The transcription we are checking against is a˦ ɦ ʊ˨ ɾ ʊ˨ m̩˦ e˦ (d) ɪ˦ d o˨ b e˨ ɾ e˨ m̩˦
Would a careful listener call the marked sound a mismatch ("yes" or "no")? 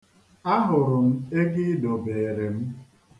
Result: yes